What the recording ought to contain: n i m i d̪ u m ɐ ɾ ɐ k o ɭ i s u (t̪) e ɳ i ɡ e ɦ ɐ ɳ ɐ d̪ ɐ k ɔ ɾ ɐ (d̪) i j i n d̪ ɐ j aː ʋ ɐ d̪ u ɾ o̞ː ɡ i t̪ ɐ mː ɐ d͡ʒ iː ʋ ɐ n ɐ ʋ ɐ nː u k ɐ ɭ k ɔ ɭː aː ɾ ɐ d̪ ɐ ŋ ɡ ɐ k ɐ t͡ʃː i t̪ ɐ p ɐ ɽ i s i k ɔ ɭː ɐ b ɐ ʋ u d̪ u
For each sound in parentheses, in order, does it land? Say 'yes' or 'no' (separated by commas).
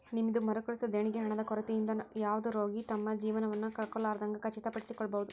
no, no